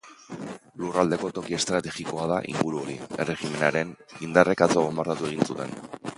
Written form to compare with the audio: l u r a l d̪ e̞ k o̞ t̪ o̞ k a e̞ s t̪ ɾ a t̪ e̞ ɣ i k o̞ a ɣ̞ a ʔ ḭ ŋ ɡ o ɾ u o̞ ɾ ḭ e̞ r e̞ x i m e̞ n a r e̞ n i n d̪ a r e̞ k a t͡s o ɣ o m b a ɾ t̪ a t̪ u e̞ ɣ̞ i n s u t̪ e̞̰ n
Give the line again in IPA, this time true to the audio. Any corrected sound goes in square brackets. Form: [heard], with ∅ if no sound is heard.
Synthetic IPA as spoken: l u r a l d̪ e̞ k o̞ t̪ o̞ k [i] e̞ s t̪ ɾ a t̪ e̞ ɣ i k o̞ a [ð̞] a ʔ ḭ ŋ ɡ [u] ɾ u o̞ ɾ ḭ e̞ r e̞ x i m e̞ n a [ɾ] e̞ n i n d̪ a r e̞ k a t͡s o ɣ o m b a ɾ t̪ a t̪ u e̞ ɣ̞ i n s u t̪ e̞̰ n